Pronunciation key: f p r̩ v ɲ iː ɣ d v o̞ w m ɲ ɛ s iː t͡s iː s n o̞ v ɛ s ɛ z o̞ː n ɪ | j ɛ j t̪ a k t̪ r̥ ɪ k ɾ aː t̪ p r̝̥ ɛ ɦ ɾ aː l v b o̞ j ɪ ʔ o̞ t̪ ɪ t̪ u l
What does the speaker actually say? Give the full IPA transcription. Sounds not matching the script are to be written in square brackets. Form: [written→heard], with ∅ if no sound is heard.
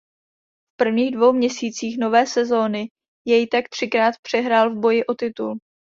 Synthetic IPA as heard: f p r̩ v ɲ iː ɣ d v o̞ w m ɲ ɛ s iː t͡s iː [s→x] n o̞ v [ɛ→ɛː] s ɛ z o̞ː n ɪ | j ɛ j t̪ a k t̪ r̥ ɪ k ɾ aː t̪ p r̝̥ ɛ ɦ ɾ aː l v b o̞ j ɪ ʔ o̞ t̪ ɪ t̪ u l

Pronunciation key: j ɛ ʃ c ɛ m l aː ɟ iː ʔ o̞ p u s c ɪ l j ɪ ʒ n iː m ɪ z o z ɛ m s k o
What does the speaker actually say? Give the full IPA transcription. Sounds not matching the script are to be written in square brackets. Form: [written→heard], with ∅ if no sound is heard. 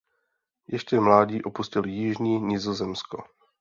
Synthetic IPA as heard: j ɛ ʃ c ɛ m l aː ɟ iː ʔ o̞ p u s c ɪ l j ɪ ʒ [n→ɲ] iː [m→ɲ] ɪ z o z ɛ m s k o

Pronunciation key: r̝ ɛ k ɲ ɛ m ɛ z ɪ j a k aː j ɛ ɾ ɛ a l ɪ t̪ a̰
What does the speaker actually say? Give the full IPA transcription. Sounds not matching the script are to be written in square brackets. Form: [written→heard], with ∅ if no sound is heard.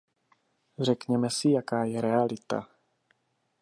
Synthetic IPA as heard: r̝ ɛ k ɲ ɛ m ɛ [z→s] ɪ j a k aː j ɛ ɾ ɛ a l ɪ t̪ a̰

